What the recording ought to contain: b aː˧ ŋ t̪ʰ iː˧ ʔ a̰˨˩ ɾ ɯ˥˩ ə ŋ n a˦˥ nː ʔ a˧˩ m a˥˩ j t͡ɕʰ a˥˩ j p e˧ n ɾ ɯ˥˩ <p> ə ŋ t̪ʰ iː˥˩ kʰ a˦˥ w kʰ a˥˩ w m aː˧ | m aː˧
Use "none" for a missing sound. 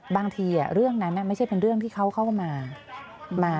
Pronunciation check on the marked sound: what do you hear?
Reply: none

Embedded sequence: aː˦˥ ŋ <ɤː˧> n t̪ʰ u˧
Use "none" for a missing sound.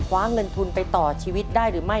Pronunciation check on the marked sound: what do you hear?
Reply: ɤ˧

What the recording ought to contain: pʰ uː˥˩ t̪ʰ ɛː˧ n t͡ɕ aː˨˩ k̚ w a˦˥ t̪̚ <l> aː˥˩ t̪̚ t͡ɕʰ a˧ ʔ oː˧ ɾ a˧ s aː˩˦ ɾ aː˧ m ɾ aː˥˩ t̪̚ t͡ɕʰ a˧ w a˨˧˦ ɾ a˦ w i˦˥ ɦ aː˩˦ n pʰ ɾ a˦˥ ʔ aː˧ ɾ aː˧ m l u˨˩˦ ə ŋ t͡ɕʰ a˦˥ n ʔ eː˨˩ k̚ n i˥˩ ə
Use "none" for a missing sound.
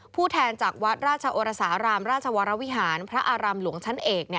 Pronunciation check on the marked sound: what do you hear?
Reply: ɾ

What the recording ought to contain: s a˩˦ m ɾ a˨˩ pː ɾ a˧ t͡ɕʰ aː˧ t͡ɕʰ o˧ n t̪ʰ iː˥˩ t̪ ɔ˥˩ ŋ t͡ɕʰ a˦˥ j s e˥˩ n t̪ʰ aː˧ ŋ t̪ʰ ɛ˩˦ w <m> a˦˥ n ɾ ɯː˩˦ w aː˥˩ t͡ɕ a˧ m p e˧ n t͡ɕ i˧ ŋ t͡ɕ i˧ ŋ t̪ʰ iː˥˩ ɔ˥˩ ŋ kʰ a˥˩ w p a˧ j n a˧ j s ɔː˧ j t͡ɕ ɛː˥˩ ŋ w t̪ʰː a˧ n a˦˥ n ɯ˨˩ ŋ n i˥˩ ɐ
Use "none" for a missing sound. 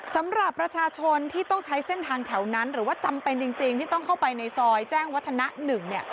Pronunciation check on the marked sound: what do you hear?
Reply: n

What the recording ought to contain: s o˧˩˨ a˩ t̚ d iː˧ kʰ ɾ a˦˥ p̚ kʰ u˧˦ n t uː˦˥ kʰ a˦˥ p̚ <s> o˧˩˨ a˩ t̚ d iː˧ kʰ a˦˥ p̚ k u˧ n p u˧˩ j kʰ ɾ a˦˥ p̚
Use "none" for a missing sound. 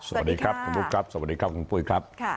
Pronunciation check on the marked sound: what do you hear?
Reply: s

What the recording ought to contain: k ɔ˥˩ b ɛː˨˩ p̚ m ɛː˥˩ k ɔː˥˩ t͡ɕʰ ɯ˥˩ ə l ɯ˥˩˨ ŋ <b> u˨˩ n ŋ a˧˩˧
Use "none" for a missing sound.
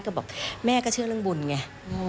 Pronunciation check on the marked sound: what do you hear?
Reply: b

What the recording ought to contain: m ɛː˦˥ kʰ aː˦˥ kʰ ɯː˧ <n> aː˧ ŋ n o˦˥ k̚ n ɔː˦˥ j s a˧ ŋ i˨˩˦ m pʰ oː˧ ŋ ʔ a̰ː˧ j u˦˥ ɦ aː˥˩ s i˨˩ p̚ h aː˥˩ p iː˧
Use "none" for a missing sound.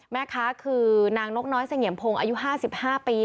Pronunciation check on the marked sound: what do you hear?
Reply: n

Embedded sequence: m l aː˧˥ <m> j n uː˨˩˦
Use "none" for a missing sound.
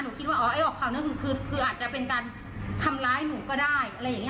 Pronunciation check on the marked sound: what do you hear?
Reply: none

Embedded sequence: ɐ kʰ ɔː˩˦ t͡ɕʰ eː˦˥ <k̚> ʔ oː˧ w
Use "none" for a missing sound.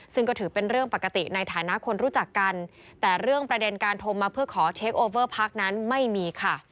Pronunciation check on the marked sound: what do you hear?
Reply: k̚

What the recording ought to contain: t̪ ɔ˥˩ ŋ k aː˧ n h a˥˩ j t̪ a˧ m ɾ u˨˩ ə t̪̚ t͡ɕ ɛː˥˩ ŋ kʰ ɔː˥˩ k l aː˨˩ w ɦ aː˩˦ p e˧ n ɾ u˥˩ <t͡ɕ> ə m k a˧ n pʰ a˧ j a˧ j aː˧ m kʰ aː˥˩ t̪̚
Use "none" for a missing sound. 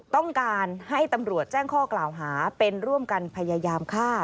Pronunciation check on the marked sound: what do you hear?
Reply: none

